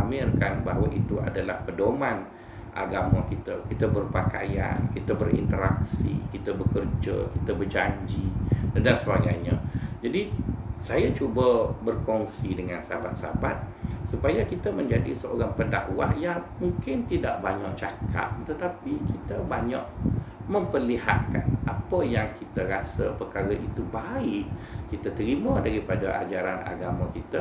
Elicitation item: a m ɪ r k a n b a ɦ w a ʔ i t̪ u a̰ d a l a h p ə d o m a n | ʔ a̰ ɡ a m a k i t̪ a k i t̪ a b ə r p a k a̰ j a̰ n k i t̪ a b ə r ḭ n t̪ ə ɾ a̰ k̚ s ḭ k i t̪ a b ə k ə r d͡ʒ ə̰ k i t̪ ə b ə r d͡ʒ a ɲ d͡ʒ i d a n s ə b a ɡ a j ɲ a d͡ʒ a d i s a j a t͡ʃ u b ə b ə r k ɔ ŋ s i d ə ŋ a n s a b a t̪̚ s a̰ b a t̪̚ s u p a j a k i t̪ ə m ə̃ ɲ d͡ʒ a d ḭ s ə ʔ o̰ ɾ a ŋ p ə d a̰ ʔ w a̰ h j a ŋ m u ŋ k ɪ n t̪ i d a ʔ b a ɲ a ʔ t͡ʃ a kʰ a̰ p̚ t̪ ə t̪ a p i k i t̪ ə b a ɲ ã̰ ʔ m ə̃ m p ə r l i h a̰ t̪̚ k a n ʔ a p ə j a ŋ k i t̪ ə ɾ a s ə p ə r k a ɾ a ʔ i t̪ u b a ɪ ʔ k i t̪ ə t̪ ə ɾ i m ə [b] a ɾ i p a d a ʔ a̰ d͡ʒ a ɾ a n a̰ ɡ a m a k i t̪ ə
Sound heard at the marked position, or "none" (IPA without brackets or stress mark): d